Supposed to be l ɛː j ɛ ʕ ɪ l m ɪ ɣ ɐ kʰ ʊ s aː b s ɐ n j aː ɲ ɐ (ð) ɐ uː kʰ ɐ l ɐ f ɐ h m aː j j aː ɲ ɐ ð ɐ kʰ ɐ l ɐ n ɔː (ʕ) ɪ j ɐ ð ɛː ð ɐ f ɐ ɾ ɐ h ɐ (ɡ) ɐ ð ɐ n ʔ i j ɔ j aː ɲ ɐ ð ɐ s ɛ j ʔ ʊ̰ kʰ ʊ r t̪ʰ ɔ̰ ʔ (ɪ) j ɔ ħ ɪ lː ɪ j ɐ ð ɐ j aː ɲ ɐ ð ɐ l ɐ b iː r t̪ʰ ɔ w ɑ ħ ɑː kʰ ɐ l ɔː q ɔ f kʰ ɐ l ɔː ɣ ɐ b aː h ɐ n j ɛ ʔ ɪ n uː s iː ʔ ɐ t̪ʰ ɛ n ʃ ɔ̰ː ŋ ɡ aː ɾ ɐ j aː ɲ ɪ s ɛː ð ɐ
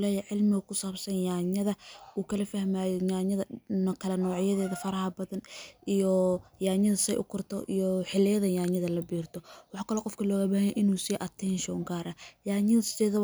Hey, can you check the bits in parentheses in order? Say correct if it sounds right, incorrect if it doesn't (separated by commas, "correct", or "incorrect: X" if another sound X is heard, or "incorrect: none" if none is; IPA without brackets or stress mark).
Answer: correct, correct, incorrect: b, incorrect: i